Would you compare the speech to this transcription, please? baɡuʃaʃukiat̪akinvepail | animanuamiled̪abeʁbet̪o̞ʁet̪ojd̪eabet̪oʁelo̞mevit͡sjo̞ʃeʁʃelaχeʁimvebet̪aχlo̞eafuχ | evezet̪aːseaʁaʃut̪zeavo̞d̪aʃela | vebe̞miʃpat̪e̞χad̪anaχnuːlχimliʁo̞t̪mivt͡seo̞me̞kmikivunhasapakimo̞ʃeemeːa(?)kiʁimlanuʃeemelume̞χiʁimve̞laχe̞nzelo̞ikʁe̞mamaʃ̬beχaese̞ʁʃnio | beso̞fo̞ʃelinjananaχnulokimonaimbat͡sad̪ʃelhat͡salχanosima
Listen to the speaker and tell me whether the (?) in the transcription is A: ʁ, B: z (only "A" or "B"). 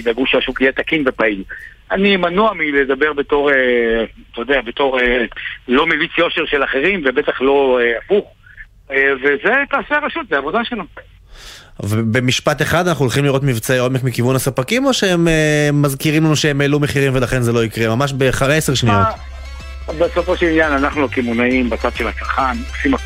B